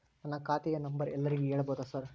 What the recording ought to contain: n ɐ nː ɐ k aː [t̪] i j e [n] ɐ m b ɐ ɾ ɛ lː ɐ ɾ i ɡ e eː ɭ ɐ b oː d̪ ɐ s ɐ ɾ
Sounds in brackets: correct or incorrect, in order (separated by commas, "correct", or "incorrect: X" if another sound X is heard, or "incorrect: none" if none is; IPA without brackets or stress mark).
correct, correct